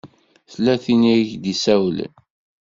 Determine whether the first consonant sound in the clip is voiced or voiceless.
voiceless